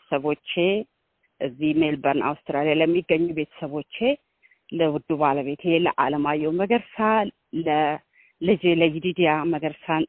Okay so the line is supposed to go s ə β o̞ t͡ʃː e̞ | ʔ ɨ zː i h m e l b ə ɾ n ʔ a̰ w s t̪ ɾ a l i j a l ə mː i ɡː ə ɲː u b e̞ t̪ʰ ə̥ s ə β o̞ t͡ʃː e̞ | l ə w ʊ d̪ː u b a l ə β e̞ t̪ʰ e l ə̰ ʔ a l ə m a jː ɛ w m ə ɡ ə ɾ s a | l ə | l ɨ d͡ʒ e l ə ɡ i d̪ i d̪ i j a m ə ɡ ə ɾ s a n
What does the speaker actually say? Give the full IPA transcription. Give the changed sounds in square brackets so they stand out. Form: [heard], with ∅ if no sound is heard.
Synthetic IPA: s ə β o̞ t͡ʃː e̞ | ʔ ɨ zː i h m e l b ə ɾ n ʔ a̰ w s t̪ ɾ a l i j a l ə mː i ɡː ə ɲː u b e̞ t̪ʰ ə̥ s ə β o̞ t͡ʃː e̞ | l ə w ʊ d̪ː u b a l ə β e̞ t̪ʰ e l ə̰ ʔ a l ə m a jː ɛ w m ə ɡ ə ɾ s a | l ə | l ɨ d͡ʒ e l ə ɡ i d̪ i d̪ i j a m ə ɡ ə ɾ s a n